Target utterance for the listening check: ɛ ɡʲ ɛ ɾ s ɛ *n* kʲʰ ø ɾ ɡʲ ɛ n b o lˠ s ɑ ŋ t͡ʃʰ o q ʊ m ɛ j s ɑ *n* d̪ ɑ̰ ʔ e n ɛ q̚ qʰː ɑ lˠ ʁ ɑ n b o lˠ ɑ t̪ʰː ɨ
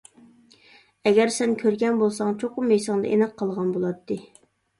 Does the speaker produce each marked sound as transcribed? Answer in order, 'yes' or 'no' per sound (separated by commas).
yes, no